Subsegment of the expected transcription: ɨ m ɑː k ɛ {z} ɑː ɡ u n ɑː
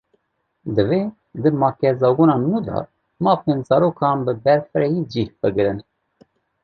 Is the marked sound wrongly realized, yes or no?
no